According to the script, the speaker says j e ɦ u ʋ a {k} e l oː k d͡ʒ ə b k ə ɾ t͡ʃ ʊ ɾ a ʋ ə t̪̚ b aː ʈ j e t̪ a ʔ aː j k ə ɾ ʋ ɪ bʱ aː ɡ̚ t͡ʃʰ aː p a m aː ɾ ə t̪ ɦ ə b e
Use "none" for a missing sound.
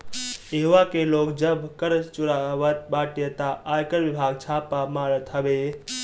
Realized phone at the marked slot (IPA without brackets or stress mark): k